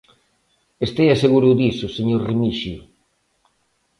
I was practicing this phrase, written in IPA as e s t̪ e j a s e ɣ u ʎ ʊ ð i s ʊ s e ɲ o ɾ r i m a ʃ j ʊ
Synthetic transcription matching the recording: e s t̪ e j a s e ɣ u ɾ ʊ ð i s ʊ s e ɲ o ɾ r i m i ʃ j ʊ